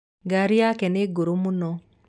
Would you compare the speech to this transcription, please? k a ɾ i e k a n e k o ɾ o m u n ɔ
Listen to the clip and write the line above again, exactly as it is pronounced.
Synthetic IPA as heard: ɡ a ɾ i a k ɛ n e ɡ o ɾ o m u n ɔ